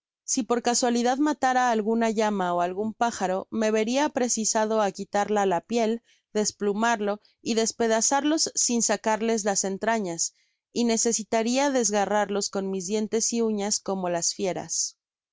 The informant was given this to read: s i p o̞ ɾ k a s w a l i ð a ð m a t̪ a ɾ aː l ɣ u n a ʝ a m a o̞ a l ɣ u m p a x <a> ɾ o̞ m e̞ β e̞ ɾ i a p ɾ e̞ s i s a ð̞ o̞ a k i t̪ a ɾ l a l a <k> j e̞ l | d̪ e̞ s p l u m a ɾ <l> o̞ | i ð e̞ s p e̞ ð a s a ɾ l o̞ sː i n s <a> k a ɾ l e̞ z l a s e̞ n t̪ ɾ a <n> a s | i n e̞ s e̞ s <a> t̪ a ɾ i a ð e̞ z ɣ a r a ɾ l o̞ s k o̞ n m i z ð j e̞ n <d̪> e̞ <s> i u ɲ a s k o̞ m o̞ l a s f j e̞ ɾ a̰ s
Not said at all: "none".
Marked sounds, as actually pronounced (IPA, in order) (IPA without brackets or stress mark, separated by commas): a, p, l, a, ɲ, i, t̪, s